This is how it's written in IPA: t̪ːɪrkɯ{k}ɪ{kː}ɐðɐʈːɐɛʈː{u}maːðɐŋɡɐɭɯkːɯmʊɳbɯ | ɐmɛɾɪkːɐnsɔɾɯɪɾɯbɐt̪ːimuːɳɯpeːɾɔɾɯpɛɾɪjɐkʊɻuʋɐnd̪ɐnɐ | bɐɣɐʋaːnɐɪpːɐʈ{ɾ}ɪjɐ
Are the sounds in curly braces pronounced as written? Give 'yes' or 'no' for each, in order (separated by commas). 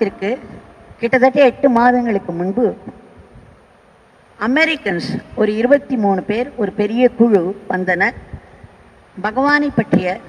yes, no, no, no